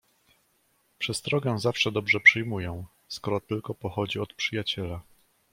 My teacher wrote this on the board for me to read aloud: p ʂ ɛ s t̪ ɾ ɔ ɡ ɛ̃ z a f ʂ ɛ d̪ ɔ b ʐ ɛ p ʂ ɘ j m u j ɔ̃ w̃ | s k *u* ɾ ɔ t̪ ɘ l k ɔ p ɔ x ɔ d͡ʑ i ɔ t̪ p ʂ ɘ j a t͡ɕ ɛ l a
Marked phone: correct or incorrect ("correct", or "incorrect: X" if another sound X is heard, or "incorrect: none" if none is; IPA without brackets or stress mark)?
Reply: incorrect: ɔ